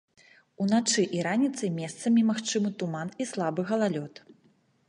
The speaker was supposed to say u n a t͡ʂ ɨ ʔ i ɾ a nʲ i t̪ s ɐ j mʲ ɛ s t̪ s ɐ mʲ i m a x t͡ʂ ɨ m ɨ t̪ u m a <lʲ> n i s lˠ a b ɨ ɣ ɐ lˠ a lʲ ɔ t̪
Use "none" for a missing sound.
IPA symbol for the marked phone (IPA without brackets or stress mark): none